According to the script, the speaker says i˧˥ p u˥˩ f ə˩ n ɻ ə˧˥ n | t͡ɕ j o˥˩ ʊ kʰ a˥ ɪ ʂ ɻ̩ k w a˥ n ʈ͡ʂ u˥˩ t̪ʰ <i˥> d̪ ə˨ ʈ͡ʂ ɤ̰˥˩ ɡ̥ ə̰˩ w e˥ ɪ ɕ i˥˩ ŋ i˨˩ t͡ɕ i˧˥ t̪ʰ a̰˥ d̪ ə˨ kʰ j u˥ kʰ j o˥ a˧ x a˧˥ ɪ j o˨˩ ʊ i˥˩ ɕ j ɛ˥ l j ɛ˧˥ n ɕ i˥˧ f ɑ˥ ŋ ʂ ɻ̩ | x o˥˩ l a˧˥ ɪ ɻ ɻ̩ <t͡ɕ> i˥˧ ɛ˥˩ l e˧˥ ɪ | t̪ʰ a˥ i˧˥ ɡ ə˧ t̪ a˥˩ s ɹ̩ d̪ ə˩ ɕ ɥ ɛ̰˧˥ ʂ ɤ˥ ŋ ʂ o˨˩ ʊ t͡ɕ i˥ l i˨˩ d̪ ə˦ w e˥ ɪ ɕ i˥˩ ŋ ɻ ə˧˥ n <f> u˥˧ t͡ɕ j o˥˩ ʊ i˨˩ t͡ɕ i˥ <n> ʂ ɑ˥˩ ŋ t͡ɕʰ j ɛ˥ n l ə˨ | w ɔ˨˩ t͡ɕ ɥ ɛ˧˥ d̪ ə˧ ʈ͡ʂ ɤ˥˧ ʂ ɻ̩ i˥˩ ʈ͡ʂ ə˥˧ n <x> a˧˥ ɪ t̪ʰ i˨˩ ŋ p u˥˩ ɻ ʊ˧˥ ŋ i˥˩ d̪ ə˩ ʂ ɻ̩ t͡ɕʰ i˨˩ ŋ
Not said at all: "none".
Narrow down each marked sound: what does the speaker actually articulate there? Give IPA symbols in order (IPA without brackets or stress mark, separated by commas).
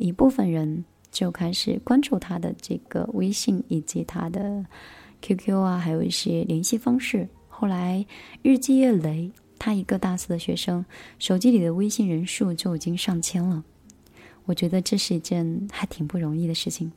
a˥, t͡ɕ, ʂ, ŋ, x